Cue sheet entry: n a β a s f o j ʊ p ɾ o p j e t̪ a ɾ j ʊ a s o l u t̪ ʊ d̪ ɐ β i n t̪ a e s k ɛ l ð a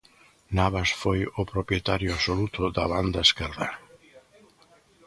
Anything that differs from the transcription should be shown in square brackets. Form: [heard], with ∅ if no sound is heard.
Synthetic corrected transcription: n a β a s f o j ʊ p ɾ o p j e t̪ a ɾ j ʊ a s o l u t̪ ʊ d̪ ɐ β [a] n [d̪] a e s k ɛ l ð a